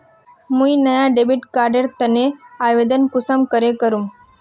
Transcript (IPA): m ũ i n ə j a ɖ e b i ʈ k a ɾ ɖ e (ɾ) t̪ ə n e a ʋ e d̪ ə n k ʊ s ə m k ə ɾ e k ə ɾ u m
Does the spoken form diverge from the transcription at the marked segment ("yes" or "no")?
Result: no